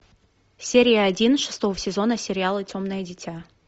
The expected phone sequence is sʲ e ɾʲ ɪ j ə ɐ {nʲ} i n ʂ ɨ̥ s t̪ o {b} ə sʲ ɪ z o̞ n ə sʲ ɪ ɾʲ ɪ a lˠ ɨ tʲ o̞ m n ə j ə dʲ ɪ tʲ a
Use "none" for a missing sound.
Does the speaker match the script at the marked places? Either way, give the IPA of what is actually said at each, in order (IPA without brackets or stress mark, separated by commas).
dʲ, v